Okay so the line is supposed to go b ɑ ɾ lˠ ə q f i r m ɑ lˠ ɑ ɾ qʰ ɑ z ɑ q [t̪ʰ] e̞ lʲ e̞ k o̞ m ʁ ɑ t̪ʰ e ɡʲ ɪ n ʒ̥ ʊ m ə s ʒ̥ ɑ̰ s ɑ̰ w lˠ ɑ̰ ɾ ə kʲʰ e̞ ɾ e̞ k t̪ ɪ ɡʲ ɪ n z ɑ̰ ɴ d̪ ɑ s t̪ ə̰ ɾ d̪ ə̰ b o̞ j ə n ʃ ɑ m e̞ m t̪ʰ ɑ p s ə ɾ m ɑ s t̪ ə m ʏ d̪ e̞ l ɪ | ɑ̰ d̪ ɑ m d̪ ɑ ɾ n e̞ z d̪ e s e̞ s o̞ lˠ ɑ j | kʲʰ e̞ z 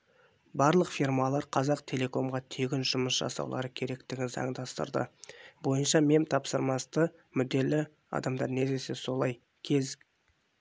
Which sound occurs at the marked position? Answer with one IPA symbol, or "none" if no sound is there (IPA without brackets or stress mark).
t̪ʰ